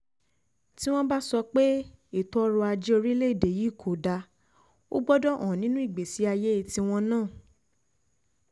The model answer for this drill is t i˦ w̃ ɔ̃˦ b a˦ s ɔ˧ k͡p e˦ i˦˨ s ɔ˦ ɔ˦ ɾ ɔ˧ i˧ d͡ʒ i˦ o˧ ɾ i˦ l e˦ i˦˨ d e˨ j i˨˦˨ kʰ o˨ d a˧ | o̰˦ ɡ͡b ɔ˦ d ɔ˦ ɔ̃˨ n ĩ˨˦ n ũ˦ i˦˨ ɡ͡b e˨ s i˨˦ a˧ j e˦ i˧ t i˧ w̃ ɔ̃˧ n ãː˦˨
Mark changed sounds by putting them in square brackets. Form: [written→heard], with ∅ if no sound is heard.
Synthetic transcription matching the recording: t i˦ w̃ ɔ̃˦ b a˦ s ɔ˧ k͡p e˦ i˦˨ [s→t] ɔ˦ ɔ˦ ɾ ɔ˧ [i˧→a˧] d͡ʒ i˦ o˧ ɾ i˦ l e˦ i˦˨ d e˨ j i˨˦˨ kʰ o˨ d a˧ | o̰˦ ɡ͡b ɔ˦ d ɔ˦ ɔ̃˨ n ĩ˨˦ n ũ˦ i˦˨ ɡ͡b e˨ s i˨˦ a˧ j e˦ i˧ t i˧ w̃ ɔ̃˧ n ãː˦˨